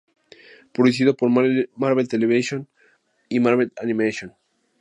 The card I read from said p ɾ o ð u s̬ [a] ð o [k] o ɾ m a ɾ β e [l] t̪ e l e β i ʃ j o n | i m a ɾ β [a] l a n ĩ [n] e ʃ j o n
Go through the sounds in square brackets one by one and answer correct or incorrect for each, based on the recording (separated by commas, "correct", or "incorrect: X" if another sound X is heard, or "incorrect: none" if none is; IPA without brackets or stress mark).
incorrect: i, incorrect: p, correct, incorrect: e, incorrect: m